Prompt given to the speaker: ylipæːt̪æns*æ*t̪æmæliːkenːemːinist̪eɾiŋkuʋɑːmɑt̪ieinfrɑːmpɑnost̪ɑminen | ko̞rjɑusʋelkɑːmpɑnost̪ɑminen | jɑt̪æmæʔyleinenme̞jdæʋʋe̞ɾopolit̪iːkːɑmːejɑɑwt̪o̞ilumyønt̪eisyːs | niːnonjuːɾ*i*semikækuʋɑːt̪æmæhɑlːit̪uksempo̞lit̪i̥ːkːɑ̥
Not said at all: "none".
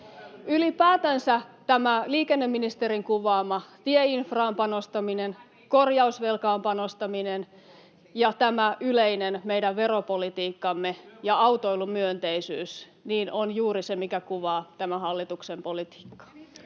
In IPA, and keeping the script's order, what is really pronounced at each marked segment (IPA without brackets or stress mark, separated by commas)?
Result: æ, i